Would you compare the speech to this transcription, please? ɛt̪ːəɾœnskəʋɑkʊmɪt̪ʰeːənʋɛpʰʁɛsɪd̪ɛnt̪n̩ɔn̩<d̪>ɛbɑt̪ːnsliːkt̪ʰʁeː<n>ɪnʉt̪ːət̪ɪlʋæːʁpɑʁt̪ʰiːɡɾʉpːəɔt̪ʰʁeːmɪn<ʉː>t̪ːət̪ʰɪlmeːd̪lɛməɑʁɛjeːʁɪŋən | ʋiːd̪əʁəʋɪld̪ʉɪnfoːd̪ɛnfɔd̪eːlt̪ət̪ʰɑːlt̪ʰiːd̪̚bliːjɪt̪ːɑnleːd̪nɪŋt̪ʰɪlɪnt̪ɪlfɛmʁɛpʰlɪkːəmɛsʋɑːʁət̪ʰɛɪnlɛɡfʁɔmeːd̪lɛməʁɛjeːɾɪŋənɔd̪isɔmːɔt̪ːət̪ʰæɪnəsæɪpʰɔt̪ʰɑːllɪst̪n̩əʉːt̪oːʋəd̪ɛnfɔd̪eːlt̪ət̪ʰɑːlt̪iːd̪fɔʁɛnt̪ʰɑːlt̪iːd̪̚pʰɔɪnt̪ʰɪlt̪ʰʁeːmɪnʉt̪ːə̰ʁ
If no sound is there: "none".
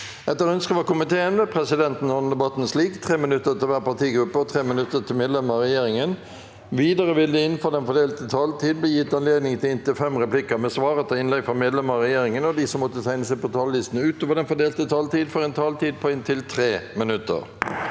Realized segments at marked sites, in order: d̪, m, ʉ

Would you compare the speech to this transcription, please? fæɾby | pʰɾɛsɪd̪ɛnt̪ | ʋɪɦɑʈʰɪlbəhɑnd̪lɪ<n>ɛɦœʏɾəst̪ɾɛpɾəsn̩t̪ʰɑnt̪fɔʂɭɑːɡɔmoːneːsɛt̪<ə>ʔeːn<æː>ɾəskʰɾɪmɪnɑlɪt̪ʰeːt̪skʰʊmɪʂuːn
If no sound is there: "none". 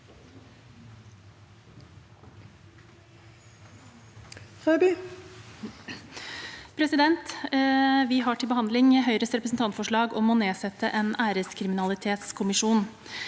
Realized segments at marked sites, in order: ŋ, ə, æː

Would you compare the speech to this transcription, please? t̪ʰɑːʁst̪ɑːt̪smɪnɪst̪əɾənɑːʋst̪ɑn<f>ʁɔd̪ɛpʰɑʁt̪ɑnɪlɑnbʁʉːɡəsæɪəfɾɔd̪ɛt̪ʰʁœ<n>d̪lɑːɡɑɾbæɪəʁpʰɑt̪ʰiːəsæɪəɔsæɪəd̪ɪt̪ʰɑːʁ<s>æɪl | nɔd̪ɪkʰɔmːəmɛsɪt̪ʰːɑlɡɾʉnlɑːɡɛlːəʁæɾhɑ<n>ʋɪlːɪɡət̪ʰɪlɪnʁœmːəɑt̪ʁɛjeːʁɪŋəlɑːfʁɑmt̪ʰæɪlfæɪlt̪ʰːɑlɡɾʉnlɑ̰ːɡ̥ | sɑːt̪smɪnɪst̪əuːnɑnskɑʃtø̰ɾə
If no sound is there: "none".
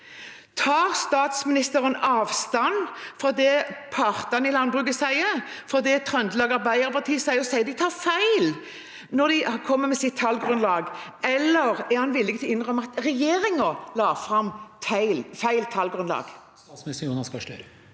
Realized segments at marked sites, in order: f, n, f, n

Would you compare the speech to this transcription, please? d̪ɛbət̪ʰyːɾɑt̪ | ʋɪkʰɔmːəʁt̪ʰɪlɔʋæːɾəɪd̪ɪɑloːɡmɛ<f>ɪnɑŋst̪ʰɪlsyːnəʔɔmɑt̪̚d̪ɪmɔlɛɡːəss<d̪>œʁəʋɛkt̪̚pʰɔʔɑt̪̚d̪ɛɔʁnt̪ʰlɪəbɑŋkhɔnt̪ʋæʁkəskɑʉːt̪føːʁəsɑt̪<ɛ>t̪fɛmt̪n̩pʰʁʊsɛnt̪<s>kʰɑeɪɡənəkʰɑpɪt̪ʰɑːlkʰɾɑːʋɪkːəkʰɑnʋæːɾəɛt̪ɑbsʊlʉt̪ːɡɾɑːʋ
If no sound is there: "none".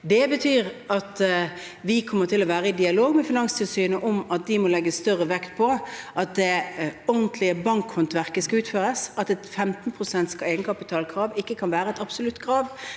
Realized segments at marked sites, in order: f, t̪, ɛ, s

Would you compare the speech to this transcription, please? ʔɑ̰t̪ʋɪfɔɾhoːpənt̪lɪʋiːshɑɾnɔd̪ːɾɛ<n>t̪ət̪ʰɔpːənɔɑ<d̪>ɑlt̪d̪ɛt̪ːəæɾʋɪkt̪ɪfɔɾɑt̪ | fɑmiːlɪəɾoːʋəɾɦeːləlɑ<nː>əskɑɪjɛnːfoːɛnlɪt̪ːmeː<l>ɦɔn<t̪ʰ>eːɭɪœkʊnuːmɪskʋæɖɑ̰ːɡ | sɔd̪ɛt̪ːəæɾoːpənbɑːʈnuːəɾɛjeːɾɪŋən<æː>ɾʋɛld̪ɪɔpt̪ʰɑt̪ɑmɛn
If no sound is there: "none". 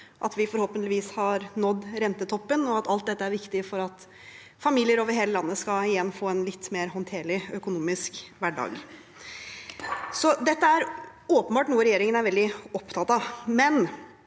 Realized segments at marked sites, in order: n, t̪, nː, ɾ, t̪ʰ, æ

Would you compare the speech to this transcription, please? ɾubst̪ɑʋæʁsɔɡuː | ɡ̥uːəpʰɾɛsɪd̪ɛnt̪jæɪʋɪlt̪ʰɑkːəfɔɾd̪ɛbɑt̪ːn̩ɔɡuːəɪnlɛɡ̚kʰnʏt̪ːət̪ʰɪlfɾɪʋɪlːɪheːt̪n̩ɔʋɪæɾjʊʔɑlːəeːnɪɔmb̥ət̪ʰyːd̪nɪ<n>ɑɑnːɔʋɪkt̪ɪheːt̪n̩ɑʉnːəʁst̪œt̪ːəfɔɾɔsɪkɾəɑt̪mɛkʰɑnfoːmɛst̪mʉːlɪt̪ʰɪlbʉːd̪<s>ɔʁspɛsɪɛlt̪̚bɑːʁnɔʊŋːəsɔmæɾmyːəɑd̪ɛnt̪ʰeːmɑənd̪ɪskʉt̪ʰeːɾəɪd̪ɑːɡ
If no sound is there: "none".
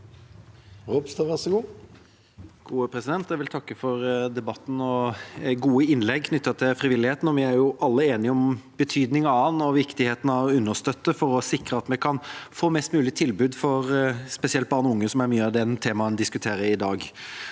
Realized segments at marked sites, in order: ŋ, f

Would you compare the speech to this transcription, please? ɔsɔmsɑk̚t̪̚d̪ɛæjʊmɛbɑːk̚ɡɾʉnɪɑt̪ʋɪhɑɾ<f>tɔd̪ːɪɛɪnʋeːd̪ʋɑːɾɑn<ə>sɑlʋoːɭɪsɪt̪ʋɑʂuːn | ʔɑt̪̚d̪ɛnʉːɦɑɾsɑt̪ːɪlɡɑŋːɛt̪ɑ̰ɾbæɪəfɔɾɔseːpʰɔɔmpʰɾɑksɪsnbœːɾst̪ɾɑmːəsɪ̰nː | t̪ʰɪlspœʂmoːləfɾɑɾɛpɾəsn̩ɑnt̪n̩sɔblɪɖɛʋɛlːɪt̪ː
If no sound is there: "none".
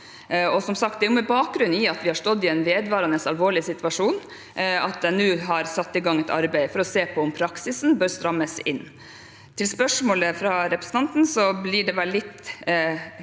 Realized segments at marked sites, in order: ʂ, ə

